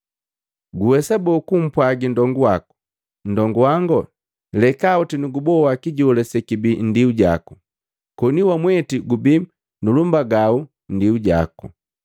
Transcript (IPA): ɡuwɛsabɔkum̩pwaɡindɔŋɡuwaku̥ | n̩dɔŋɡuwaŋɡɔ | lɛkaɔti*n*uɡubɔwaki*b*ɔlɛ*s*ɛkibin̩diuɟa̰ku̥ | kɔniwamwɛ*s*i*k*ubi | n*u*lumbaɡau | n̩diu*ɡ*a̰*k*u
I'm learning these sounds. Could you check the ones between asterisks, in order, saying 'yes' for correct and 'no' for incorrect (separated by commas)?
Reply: yes, no, yes, no, no, yes, no, yes